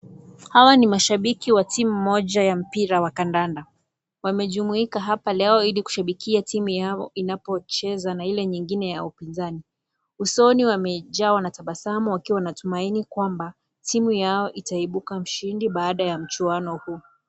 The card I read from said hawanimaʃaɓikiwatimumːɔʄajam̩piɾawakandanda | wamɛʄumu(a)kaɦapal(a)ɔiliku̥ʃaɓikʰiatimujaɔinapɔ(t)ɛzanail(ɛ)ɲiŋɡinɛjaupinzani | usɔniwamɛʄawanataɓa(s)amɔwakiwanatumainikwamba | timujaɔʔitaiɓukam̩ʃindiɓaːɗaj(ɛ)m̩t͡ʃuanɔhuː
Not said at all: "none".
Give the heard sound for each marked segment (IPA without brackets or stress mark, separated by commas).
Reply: i, ɛ, t͡ʃ, ɛ, s, a